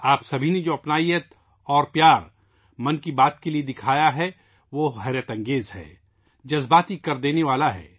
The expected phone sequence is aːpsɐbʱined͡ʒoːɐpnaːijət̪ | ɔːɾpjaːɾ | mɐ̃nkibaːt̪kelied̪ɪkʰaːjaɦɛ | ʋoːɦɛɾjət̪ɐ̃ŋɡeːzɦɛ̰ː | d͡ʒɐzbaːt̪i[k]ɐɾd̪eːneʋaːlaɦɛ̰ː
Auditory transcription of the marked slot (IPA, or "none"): k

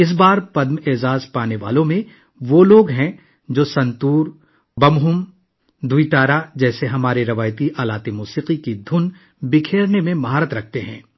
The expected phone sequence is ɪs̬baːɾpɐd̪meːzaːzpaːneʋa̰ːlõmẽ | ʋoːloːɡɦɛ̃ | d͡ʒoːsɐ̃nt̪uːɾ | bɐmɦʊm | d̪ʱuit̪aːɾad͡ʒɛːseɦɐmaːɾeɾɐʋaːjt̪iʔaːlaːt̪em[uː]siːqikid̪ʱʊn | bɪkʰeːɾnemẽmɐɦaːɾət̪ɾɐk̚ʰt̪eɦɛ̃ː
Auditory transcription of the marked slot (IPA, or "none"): uː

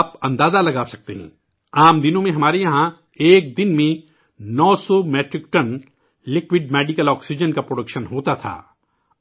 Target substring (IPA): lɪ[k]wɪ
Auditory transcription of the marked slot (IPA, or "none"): k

